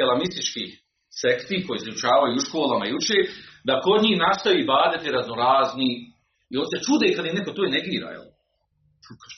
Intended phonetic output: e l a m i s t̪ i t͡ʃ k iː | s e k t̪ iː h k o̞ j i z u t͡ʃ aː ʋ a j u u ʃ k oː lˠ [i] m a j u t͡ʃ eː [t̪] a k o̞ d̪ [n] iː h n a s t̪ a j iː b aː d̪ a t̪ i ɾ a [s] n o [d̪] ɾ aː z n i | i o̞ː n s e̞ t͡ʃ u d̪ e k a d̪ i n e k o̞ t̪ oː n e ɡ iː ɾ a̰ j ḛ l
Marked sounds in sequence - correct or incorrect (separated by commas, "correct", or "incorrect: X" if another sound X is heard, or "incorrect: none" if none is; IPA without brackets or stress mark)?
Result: incorrect: a, incorrect: d̪, incorrect: ɲ, incorrect: z, incorrect: none